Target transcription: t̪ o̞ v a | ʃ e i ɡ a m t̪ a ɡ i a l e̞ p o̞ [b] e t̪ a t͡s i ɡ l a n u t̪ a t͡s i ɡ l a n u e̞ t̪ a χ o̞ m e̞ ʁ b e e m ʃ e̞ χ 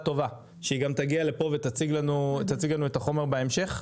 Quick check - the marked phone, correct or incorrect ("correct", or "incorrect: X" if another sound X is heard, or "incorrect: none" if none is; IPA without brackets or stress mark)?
incorrect: v